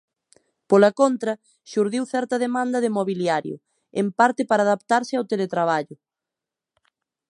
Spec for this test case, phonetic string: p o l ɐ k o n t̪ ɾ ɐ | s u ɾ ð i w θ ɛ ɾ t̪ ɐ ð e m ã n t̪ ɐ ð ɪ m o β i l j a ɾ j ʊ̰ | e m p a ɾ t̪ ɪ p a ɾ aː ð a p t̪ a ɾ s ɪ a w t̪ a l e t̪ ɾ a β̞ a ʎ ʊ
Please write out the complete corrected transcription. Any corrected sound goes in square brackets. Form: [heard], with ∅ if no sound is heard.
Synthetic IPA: p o l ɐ k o n t̪ ɾ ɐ | [ʃ] u ɾ ð i w θ ɛ ɾ t̪ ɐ ð e m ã n [d̪] ɐ ð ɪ m o β i l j a ɾ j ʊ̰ | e m p a ɾ t̪ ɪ p a ɾ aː ð a p t̪ a ɾ s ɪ a w t̪ [e] l e t̪ ɾ a β̞ a ʎ ʊ